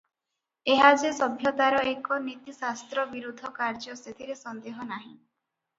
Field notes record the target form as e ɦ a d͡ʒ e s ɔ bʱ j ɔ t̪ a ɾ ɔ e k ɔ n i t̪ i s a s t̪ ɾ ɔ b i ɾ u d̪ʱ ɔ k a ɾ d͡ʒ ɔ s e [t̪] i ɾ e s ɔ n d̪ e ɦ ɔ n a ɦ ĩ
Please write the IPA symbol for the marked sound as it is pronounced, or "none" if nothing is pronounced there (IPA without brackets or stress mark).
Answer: t̪ʰ